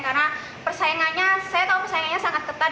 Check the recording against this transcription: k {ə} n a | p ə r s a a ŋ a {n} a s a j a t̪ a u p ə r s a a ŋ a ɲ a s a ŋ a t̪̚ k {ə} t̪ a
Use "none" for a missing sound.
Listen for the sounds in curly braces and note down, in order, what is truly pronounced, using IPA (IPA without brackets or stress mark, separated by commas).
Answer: a, ɲ, ə